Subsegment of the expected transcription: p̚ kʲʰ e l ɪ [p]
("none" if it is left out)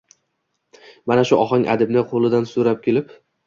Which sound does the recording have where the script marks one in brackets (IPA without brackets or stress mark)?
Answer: p